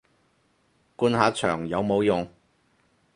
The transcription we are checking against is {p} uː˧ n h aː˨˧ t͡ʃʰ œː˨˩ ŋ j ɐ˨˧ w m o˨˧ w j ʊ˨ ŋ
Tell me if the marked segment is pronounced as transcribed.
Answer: no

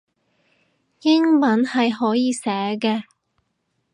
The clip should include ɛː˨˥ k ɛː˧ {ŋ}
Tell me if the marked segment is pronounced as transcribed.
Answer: no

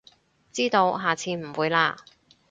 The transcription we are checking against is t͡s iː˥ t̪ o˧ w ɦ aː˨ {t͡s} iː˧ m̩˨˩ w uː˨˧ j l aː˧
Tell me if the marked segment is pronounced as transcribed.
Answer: no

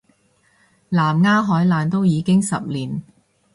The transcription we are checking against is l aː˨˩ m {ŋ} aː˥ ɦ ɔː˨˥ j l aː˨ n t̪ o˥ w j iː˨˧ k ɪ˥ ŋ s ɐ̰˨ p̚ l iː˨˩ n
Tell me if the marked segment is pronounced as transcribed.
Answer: yes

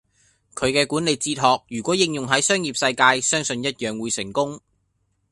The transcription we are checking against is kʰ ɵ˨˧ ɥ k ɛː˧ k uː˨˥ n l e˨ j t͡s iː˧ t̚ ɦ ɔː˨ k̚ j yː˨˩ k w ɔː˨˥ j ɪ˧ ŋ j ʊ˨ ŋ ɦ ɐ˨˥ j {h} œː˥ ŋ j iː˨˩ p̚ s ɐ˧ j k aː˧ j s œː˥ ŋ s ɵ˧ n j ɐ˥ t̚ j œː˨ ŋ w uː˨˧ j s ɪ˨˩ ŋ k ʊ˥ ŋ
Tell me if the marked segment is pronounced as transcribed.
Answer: no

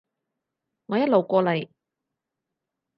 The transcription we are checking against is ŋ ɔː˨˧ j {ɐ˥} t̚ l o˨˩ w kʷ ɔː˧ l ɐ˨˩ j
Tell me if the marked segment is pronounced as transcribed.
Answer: yes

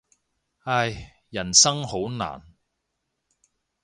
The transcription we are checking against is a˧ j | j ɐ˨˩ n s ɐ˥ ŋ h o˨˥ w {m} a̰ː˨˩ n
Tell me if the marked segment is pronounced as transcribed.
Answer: no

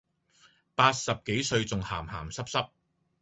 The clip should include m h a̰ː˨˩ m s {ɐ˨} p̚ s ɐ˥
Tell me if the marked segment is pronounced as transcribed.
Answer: no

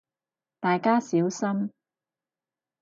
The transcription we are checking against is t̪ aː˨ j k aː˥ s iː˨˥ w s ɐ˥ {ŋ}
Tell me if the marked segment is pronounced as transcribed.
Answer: no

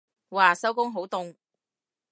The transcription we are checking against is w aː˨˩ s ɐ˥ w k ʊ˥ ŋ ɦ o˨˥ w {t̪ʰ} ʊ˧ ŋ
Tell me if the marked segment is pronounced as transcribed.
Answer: no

